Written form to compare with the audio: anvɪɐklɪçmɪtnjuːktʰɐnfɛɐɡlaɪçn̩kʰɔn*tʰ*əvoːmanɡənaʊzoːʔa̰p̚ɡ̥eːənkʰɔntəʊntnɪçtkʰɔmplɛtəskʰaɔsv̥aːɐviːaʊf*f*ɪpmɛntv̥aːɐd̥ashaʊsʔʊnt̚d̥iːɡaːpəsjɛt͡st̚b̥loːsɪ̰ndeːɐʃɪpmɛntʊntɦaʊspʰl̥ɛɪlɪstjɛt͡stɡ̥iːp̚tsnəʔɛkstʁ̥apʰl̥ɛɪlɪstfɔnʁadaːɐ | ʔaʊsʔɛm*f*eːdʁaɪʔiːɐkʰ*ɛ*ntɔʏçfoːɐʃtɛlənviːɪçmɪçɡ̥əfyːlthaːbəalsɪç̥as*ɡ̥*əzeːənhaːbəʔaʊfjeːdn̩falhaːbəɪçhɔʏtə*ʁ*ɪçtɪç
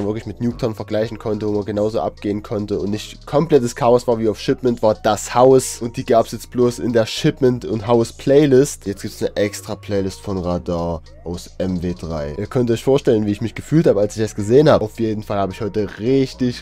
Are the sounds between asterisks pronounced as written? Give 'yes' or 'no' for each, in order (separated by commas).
no, no, no, no, yes, yes